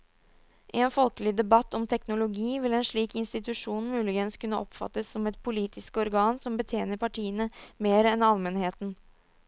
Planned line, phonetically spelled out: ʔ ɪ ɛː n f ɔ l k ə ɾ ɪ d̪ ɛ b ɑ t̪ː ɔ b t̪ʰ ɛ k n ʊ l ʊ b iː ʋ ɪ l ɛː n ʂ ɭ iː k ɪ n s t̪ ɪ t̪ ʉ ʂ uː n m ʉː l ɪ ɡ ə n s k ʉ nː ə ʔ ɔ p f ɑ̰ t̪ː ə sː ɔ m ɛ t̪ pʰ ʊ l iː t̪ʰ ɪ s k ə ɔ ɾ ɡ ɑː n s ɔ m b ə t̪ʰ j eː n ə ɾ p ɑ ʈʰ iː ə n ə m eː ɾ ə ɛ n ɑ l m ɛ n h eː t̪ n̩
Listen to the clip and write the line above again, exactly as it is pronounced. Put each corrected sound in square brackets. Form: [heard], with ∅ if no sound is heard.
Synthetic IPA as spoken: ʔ ɪ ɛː n f ɔ l k ə [l] ɪ d̪ ɛ b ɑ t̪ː ɔ [m] t̪ʰ ɛ k n ʊ l ʊ [ɡ] iː ʋ ɪ l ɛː n ʂ ɭ iː k ɪ n s t̪ ɪ t̪ ʉ ʂ uː n m ʉː l ɪ ɡ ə n s k ʉ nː ə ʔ ɔ p f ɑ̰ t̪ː ə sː ɔ m ɛ t̪ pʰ ʊ l iː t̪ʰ ɪ s k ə ɔ ɾ ɡ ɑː n s ɔ m b ə t̪ʰ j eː n ə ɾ p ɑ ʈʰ iː ə n ə m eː ɾ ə ɛ n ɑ l m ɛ n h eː t̪ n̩

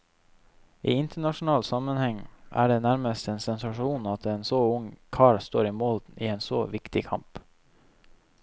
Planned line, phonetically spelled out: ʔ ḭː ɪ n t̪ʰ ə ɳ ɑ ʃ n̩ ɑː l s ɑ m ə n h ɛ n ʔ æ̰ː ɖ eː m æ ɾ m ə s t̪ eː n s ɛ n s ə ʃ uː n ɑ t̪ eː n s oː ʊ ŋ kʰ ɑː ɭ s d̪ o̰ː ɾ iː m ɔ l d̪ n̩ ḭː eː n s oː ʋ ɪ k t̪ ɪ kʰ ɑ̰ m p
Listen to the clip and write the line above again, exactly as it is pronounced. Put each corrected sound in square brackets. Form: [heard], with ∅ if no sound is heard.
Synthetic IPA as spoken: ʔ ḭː ɪ n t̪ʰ ə ɳ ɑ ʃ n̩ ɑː l s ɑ m ə n h ɛ [ŋ] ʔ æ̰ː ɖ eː [n] æ ɾ m ə s t̪ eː n s ɛ n s [ɑ] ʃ uː n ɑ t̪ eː n s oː ʊ ŋ kʰ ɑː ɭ s [t̪] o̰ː ɾ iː m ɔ l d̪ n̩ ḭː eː n s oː ʋ ɪ k t̪ ɪ kʰ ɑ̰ m p

